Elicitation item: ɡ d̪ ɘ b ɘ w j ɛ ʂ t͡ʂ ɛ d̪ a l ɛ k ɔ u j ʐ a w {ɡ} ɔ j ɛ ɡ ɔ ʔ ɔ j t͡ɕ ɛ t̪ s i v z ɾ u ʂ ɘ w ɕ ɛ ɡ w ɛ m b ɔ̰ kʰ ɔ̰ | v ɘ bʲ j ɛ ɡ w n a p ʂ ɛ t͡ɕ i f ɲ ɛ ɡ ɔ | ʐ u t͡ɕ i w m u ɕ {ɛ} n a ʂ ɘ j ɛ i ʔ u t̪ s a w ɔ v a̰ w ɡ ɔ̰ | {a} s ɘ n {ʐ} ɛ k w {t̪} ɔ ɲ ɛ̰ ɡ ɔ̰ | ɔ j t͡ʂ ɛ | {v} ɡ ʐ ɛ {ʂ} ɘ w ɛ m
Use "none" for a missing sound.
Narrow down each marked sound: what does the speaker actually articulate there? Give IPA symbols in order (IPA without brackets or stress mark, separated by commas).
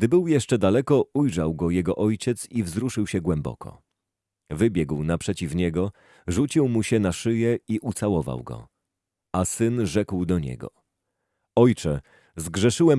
ɡ, ɛ, a, ʐ, d̪, z, ʂ